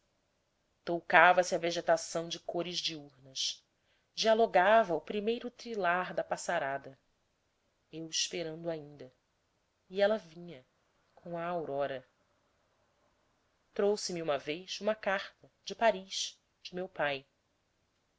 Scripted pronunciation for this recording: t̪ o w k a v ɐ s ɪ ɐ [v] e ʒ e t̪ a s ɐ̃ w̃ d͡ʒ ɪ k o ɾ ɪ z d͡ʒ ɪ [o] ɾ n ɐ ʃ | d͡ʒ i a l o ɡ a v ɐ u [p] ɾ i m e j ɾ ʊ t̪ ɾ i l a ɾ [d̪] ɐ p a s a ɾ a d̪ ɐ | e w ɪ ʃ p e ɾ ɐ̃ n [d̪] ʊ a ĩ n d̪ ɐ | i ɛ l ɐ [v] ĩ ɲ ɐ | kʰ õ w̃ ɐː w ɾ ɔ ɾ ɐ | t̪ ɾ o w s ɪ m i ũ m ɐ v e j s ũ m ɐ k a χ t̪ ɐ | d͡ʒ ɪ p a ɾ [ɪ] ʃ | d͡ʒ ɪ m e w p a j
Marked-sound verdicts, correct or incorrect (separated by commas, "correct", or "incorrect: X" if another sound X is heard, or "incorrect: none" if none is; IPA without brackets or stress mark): correct, incorrect: u, correct, correct, correct, correct, incorrect: i